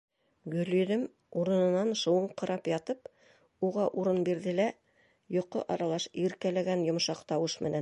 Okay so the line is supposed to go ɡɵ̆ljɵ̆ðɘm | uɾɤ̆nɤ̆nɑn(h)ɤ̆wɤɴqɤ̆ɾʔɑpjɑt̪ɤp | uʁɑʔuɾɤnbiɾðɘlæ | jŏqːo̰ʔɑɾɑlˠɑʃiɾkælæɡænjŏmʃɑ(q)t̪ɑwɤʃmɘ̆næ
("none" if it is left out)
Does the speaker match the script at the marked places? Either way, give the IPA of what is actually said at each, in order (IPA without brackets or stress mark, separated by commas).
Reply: ʃ, q